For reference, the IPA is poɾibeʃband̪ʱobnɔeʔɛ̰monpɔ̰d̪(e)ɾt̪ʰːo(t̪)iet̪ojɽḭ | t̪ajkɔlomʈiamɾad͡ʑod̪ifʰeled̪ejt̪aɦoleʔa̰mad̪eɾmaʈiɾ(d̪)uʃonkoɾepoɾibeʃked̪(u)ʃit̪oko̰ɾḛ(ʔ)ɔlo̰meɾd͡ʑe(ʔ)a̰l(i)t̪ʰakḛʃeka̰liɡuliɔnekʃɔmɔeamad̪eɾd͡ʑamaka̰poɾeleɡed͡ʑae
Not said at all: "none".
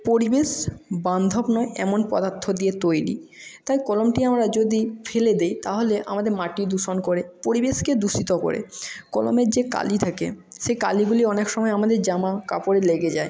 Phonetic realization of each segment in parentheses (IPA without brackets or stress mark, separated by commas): a, d̪, d̪, u, k, k, i